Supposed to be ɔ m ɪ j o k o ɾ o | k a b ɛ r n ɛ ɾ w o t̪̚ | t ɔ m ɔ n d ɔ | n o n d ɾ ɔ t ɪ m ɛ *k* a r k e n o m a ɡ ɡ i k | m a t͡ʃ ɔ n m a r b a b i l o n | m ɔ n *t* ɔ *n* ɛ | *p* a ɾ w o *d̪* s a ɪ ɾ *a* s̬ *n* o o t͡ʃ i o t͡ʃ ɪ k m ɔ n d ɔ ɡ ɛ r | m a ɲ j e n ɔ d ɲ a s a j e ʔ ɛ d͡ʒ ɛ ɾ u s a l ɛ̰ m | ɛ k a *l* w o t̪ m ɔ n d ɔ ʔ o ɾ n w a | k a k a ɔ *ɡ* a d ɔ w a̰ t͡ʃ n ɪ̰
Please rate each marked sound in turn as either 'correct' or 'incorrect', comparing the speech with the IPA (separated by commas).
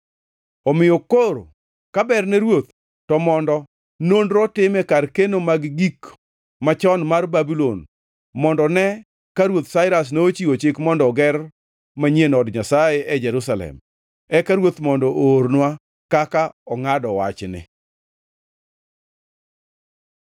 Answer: correct, incorrect, correct, incorrect, incorrect, correct, correct, incorrect, incorrect